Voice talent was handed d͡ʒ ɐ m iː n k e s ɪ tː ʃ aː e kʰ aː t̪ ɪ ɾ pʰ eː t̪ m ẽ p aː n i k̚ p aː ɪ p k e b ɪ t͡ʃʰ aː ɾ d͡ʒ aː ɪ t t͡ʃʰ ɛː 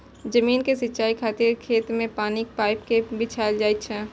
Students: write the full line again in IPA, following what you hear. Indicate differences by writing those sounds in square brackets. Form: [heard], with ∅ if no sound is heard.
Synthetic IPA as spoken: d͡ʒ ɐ m iː n k e s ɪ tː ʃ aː [i] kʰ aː t̪ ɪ ɾ [kʰ] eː t̪ m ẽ p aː n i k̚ p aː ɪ p k e b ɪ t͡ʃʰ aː [l] d͡ʒ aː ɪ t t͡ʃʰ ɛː